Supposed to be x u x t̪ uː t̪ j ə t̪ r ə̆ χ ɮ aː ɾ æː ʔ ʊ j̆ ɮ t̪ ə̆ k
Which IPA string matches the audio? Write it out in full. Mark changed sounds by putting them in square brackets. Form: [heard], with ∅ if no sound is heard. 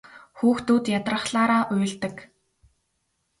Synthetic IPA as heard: x [uː] x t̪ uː t̪ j [a] t̪ r ə̆ χ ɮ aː ɾ [aː] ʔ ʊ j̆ ɮ t̪ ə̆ k